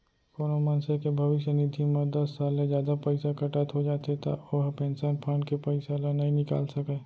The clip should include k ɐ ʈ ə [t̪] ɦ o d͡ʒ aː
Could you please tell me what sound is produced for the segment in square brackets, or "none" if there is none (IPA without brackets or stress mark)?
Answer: t̪